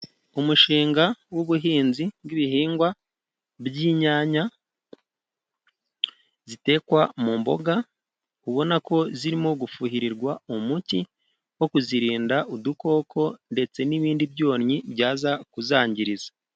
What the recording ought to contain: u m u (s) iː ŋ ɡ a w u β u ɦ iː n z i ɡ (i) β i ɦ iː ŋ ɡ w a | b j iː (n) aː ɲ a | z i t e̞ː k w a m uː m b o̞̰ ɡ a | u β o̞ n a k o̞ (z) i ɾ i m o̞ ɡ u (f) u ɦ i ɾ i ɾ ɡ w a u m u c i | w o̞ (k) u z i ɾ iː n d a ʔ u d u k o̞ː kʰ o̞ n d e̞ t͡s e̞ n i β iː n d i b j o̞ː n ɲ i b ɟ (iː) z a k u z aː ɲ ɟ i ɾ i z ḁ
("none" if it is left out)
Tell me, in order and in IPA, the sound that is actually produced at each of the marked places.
ʃ, i, ɲ, z, f, k, aː

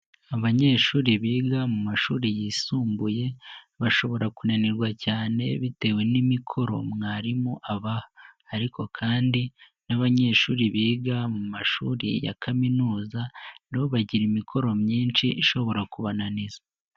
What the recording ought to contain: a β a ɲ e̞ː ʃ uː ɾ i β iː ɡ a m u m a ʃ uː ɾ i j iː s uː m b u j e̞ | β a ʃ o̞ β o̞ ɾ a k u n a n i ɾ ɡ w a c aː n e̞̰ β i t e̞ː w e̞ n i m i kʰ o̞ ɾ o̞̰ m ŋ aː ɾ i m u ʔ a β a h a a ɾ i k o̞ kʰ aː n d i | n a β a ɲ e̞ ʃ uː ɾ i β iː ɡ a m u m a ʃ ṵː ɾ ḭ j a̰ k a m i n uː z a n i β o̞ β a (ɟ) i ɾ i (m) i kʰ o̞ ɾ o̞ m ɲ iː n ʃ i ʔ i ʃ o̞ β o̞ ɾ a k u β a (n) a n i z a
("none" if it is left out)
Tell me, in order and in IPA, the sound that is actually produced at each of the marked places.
ɟ, m, n

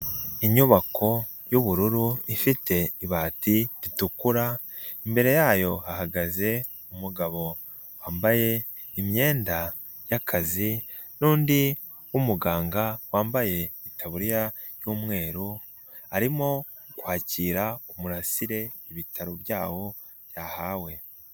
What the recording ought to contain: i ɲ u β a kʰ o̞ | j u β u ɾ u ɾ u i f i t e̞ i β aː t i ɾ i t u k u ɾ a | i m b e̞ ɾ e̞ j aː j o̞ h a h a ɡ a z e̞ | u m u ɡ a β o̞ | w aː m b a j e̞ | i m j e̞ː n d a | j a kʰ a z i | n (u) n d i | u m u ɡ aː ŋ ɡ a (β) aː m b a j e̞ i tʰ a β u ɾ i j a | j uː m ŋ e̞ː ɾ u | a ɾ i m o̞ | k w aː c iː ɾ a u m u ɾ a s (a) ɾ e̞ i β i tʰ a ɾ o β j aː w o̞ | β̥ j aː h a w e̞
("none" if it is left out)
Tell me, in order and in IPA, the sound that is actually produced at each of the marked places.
uː, w, i

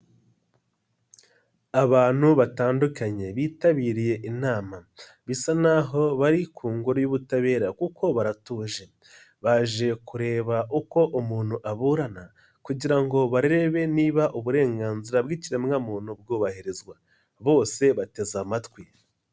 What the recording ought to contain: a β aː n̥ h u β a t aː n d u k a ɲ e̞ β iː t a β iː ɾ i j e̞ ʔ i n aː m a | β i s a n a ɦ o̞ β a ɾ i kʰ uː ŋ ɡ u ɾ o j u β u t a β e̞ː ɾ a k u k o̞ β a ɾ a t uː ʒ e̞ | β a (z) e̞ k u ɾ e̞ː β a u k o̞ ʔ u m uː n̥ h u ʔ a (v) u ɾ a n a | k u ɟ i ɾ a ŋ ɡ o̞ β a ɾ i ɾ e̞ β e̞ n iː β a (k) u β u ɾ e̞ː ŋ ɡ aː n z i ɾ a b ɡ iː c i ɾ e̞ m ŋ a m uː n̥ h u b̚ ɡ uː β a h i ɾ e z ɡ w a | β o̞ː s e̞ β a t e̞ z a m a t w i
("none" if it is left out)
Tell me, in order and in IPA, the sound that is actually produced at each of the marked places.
ʒ, β, ʔ

